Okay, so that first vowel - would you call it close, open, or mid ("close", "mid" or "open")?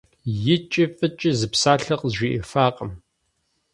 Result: close